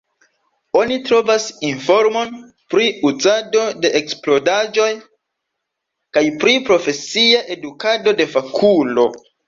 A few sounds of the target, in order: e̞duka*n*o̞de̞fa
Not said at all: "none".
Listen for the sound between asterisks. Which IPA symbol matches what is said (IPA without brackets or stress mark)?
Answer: d